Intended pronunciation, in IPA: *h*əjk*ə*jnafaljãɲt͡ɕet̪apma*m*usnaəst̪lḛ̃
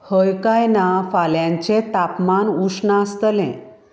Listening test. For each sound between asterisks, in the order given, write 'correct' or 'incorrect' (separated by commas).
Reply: correct, incorrect, incorrect